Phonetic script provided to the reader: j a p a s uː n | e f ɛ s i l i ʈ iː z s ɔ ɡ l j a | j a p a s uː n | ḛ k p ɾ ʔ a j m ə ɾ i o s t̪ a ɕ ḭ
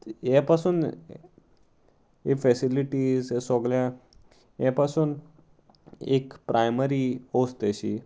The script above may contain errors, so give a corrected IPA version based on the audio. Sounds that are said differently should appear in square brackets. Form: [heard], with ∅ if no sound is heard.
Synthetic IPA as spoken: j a p a s uː n | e f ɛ s i l i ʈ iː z s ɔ ɡ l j a | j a p a s uː n | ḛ k p ɾ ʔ a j m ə ɾ i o s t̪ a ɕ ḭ